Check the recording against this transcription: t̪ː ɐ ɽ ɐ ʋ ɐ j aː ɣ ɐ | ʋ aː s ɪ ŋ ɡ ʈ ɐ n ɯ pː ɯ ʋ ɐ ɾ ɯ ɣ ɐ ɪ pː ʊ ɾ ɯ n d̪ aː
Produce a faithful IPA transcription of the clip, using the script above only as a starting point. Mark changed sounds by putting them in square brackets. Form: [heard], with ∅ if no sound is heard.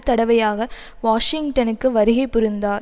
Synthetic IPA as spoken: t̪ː ɐ ɽ ɐ ʋ ɐ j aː ɣ ɐ | ʋ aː [ʂ] ɪ ŋ ɡ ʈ ɐ n ɯ [kː] ɯ ʋ ɐ ɾ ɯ ɣ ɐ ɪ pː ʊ ɾ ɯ n d̪ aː